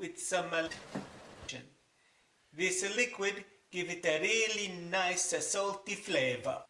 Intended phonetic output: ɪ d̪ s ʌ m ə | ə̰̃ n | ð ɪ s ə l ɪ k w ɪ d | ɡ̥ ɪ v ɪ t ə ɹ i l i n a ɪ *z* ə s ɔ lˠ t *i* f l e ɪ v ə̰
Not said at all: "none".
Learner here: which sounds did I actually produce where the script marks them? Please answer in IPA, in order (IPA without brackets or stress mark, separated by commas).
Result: s, i